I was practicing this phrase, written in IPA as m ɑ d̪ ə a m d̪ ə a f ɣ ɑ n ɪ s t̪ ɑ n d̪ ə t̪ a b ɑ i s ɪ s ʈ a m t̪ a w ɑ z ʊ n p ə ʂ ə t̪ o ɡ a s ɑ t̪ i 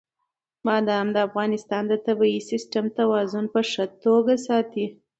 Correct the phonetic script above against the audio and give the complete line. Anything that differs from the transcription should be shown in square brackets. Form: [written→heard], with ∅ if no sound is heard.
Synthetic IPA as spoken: m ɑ d̪ ə a m d̪ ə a f ɣ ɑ n ɪ s t̪ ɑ n d̪ ə t̪ a b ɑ i s ɪ s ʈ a m t̪ a w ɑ z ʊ n p ə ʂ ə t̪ o ɡ a s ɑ t̪ i